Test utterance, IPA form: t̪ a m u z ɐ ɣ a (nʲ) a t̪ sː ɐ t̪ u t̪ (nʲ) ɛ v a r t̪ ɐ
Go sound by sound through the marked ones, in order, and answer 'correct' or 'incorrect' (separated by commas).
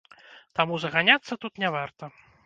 correct, correct